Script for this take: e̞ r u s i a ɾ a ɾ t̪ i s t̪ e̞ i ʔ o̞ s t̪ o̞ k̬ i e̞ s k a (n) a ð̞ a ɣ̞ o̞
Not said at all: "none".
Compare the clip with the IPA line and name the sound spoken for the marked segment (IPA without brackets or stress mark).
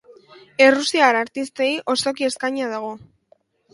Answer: ɲ